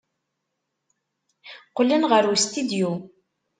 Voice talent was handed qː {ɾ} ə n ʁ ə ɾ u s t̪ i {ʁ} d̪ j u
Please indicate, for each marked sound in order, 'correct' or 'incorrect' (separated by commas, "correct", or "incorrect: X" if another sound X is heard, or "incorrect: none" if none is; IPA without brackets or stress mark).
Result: incorrect: l, incorrect: none